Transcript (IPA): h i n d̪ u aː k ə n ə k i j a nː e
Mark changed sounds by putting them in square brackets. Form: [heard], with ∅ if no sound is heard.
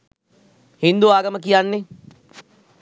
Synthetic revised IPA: h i n d̪ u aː [ɡ] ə [m] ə k i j a nː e